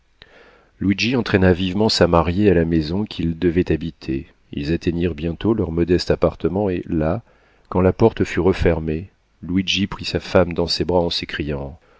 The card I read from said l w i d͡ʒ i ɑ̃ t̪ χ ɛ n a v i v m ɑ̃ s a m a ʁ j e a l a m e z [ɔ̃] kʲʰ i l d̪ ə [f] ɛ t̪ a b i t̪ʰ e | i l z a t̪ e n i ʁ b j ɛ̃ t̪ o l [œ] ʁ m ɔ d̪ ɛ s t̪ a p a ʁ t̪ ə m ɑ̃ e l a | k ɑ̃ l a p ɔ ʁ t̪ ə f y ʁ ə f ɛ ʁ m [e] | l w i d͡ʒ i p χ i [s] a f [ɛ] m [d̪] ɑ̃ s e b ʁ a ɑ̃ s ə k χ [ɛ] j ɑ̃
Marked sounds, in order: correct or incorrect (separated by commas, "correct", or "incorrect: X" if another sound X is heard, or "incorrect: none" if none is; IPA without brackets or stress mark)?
correct, incorrect: v, correct, correct, correct, incorrect: a, correct, incorrect: i